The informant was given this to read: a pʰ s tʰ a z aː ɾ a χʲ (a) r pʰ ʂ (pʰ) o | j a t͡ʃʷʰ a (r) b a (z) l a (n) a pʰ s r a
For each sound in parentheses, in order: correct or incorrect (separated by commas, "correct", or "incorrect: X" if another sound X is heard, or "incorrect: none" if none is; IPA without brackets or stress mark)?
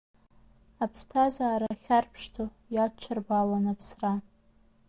correct, incorrect: tʰ, correct, incorrect: none, correct